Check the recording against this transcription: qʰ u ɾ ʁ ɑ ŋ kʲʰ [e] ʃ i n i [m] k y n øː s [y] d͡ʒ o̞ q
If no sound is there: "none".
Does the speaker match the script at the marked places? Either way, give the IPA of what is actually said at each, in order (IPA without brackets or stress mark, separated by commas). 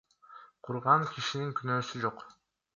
i, ŋ, y